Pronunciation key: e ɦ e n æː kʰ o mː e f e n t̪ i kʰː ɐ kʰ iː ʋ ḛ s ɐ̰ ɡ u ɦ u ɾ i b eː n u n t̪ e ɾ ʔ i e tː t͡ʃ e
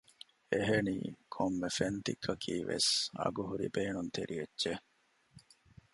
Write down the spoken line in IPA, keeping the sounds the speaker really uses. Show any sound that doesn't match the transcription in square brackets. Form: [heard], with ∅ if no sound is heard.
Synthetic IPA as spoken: e ɦ e n [iː] kʰ o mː e f e n t̪ i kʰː ɐ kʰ iː ʋ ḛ s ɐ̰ ɡ u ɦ u ɾ i b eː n u n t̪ e ɾ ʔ i e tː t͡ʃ e